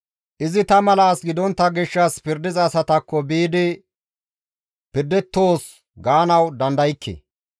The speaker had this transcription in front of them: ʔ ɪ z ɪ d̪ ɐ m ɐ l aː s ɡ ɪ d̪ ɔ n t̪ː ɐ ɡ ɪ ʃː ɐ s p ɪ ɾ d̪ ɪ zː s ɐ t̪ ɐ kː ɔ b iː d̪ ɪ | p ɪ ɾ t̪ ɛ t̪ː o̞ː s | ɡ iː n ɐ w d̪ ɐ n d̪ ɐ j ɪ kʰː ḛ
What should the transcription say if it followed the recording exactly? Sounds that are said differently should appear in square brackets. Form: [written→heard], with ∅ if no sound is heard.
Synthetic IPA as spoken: ʔ ɪ z ɪ [d̪→t̪] ɐ m ɐ l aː s ɡ ɪ d̪ ɔ n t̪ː ɐ ɡ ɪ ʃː ɐ s p ɪ ɾ d̪ ɪ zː s ɐ t̪ ɐ kː ɔ b iː d̪ ɪ | p ɪ ɾ [t̪→d̪] ɛ t̪ː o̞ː s | ɡ [iː→aː] n ɐ w d̪ ɐ n d̪ ɐ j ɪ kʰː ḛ